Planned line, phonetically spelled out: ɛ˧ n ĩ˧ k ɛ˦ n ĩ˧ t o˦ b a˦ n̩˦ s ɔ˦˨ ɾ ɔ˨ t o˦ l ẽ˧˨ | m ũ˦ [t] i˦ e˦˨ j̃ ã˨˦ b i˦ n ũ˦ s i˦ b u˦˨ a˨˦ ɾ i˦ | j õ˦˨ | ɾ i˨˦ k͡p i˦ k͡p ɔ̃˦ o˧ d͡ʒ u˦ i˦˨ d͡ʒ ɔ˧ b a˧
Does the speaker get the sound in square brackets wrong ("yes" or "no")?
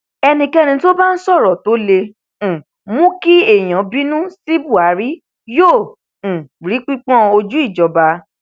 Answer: yes